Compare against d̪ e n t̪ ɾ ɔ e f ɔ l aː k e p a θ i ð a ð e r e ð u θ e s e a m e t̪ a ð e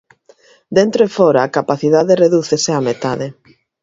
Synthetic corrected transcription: d̪ e n t̪ ɾ o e f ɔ ɾ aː k a p a θ i ð a ð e r e ð u θ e s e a m e t̪ a ð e